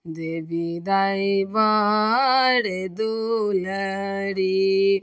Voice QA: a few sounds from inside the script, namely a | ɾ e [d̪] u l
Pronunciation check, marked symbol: correct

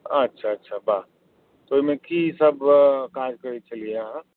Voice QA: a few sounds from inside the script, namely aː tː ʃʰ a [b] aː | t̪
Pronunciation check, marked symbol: correct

